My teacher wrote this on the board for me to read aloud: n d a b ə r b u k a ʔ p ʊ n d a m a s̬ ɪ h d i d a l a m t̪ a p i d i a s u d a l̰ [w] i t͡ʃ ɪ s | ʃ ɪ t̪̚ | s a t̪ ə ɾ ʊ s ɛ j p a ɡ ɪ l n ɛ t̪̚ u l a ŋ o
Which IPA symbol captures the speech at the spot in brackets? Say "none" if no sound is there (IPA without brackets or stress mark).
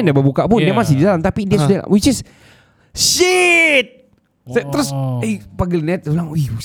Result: w